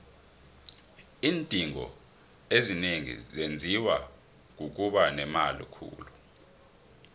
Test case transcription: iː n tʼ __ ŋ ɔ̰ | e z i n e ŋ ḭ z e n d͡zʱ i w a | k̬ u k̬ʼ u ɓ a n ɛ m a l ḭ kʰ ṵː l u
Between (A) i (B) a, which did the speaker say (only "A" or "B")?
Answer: A